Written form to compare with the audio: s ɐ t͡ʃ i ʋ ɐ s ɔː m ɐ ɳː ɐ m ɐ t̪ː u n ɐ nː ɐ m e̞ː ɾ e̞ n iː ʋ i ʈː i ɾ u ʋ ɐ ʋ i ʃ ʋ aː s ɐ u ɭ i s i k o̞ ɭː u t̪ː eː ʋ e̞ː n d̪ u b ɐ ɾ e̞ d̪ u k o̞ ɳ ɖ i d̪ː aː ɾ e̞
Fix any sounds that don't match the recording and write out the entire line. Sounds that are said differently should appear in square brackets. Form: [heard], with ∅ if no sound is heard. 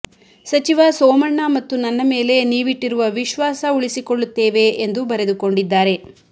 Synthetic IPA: s ɐ t͡ʃ i ʋ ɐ s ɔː m ɐ ɳː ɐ m ɐ t̪ː u n ɐ nː ɐ m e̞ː [l] e̞ n iː ʋ i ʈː i ɾ u ʋ ɐ ʋ i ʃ ʋ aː s ɐ u ɭ i s i k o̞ ɭː u t̪ː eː ʋ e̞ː n d̪ u b ɐ ɾ e̞ d̪ u k o̞ ɳ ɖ i d̪ː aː ɾ e̞